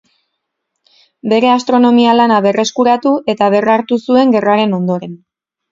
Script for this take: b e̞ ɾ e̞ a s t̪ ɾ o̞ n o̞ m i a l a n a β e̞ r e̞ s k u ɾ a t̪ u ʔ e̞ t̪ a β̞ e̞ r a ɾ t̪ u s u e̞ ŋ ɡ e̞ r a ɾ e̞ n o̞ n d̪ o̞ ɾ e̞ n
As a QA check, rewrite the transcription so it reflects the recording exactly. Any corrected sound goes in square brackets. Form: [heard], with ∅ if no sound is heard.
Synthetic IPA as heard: b e̞ ɾ e̞ a s t̪ ɾ o̞ n o̞ m i a l a n a β e̞ r e̞ s k u ɾ a t̪ u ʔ e̞ t̪ a β̞ e̞ r a ɾ t̪ u s u e̞ ŋ ɡ e̞ r a ɾ e̞ n o̞ n d̪ o̞ ɾ e̞ n